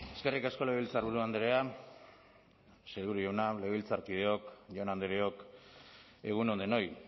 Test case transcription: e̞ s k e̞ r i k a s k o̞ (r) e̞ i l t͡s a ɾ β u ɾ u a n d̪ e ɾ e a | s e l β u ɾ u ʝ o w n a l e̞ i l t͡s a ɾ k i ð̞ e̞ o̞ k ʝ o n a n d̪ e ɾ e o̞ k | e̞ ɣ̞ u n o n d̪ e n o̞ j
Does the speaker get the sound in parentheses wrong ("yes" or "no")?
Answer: yes